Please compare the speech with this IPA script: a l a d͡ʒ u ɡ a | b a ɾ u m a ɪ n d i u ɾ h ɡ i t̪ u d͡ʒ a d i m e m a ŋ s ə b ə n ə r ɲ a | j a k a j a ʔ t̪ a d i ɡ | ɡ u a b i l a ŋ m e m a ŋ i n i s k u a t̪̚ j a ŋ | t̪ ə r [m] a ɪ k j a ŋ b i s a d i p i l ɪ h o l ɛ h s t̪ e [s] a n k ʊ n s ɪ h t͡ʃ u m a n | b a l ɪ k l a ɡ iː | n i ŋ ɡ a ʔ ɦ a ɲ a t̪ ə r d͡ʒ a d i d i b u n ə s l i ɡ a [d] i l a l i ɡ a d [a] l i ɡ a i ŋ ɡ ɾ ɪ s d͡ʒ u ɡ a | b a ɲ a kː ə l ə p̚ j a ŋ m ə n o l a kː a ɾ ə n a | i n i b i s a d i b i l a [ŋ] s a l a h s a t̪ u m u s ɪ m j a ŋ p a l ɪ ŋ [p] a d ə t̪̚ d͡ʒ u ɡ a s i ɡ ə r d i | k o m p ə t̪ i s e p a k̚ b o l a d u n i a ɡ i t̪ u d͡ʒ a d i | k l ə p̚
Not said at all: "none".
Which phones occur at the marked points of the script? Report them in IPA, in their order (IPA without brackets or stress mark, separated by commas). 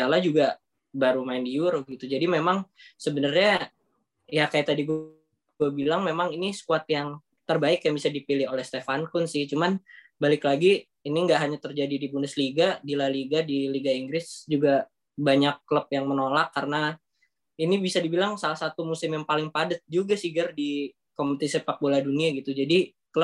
b, f, d, i, ŋ, p